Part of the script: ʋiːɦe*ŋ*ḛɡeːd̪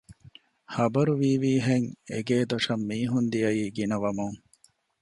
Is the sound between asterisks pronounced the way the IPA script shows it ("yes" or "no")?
yes